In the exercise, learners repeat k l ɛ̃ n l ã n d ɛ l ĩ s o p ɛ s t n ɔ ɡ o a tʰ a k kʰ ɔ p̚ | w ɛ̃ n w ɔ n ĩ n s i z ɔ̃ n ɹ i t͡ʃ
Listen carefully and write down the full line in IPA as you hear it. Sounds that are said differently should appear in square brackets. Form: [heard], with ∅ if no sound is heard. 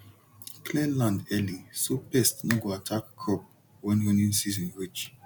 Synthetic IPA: k l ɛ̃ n l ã n d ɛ l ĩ s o p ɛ s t n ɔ ɡ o a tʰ a k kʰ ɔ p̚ | w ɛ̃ n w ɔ n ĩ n s i z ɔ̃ n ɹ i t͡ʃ